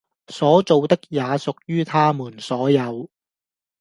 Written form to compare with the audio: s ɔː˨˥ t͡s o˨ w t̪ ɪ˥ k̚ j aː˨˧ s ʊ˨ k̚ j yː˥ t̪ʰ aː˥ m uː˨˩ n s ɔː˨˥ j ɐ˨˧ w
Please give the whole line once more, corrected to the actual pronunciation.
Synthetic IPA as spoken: s ɔː˨˥ t͡s o˨ w t̪ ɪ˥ k̚ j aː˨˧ s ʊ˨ k̚ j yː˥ t̪ʰ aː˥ m uː˨˩ n s ɔː˨˥ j ɐ˨˧ w